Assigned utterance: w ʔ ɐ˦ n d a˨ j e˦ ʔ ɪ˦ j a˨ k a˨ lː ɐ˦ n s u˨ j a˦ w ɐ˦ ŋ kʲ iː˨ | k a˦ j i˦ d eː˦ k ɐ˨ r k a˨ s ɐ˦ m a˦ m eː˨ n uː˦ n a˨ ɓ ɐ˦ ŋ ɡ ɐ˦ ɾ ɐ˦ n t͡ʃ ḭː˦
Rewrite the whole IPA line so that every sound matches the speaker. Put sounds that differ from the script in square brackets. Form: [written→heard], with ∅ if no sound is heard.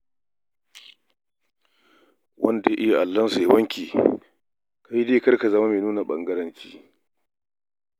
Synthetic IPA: w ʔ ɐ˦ n d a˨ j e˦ ʔ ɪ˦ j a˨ [k→ʔ] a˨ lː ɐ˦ n s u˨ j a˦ w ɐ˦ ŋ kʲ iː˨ | k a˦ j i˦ d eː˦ k [ɐ˨→ɐ˦] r k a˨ [s→z] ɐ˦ m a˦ m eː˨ n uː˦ n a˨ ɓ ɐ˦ ŋ ɡ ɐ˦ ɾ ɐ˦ n t͡ʃ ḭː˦